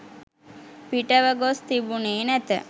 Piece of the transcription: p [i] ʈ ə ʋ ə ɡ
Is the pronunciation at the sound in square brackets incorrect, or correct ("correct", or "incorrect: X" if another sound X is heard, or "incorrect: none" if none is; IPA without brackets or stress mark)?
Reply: correct